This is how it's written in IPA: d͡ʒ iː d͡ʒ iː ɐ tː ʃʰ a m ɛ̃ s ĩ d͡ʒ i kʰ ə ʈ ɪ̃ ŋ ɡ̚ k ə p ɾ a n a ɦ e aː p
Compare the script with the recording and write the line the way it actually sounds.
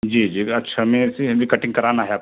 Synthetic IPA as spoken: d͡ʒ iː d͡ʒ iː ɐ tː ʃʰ a m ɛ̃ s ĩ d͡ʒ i k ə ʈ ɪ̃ ŋ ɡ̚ k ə ɾ a n a ɦ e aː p